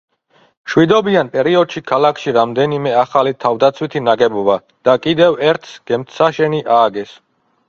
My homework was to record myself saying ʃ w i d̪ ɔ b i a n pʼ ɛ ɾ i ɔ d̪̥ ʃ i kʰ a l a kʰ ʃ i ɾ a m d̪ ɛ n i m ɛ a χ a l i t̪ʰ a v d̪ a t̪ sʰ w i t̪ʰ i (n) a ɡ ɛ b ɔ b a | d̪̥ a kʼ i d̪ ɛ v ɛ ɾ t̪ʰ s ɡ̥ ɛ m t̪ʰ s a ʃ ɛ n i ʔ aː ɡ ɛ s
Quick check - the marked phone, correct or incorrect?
correct